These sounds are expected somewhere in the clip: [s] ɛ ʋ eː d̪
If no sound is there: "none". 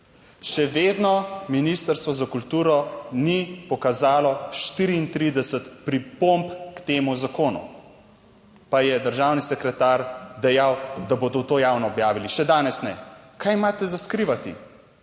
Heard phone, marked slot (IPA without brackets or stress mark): ʃ